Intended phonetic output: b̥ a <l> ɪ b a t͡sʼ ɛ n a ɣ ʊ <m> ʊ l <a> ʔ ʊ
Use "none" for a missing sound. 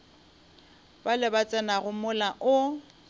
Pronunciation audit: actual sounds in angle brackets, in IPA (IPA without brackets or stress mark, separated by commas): l, m, a